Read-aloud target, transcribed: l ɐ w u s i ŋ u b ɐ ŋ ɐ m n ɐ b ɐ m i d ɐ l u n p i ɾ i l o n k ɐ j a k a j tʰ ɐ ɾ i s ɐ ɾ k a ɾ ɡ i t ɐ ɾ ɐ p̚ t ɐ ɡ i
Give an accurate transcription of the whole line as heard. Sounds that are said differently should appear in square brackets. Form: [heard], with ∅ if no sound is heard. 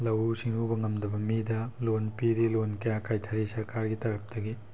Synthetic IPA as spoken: l ɐ w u s i ŋ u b ɐ ŋ ɐ m [d] ɐ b ɐ m i d ɐ l [o] n p i ɾ i l o n k ɐ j a k a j tʰ ɐ ɾ i s ɐ ɾ k a ɾ ɡ i t ɐ ɾ ɐ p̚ t ɐ ɡ i